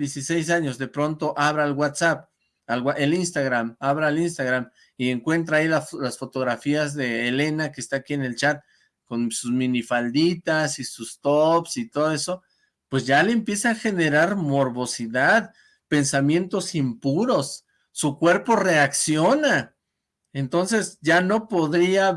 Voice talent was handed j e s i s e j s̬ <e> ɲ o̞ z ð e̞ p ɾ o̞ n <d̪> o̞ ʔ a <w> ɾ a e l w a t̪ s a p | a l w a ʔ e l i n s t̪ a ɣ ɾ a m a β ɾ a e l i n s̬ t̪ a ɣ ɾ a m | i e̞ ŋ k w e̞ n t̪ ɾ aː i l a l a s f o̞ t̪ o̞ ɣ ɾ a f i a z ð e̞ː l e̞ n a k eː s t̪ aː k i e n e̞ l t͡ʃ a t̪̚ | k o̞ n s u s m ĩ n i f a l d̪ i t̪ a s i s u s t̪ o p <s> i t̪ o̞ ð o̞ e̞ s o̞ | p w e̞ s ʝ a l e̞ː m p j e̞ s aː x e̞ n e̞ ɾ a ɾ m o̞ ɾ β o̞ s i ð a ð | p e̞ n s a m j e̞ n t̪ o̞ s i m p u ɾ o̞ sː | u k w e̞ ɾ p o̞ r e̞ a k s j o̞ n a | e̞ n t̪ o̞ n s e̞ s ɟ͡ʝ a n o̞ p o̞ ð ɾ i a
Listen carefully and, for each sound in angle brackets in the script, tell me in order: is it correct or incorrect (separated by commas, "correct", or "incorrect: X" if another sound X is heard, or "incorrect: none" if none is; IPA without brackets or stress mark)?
incorrect: a, incorrect: t̪, incorrect: β, correct